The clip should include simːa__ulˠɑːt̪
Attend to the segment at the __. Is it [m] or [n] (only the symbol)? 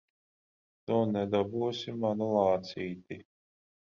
n